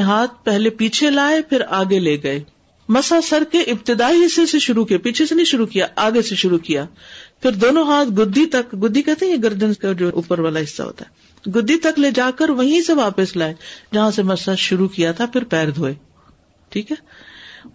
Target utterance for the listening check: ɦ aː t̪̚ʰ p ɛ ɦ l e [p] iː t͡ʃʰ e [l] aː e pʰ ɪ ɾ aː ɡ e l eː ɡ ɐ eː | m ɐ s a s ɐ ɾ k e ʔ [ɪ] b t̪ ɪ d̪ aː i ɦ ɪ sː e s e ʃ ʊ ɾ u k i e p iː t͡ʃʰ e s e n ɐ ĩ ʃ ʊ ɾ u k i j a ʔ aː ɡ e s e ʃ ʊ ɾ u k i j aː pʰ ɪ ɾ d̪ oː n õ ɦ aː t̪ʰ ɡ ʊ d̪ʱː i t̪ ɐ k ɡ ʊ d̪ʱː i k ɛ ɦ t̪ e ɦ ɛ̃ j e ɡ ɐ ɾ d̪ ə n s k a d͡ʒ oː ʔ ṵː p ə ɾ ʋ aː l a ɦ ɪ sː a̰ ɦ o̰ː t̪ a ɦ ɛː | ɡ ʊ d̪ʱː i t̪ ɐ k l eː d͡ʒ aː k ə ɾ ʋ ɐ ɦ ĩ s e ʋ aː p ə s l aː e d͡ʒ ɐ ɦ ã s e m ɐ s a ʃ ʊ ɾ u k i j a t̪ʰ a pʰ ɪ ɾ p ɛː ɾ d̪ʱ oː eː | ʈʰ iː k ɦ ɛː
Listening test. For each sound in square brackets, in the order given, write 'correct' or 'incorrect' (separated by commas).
correct, correct, correct